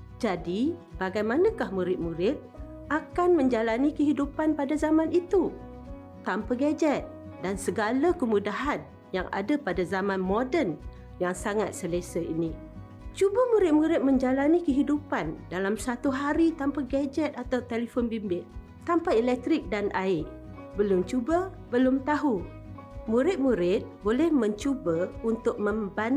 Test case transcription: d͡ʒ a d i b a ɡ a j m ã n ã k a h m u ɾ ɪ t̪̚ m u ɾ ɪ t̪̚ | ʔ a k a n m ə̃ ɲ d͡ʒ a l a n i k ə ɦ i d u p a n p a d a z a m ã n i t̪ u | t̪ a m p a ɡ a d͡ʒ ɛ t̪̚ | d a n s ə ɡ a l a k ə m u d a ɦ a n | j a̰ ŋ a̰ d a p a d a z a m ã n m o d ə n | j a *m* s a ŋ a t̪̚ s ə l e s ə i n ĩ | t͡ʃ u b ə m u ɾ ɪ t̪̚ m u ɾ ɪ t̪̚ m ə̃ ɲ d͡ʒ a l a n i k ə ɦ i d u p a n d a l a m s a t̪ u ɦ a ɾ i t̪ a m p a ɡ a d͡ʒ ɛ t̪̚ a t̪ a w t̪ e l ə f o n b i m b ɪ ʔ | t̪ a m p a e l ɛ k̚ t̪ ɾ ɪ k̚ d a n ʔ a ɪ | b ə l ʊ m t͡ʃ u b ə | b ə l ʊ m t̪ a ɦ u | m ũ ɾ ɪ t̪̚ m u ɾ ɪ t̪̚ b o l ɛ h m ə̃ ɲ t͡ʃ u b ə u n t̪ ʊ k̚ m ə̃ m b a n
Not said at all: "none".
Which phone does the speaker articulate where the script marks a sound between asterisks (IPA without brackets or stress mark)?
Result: ŋ